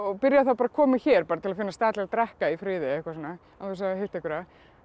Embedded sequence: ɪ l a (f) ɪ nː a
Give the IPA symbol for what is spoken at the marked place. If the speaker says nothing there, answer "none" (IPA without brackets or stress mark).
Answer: f